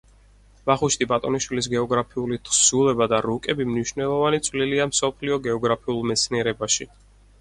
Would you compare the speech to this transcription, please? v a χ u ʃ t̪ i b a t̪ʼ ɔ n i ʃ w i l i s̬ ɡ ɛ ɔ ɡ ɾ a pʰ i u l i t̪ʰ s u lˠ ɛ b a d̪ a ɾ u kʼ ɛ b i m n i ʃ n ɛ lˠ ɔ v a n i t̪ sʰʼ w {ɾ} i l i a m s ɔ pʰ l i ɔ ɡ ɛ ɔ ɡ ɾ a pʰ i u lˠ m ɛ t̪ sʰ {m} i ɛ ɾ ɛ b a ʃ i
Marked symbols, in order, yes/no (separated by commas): no, no